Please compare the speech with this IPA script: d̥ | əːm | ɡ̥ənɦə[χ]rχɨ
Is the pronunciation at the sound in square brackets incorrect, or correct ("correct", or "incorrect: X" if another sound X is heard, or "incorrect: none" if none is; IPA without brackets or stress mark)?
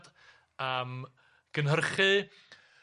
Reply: incorrect: none